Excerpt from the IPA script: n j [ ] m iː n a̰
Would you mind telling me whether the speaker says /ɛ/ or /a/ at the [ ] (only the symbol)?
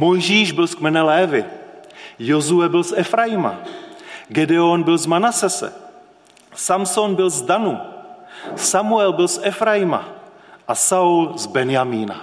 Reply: a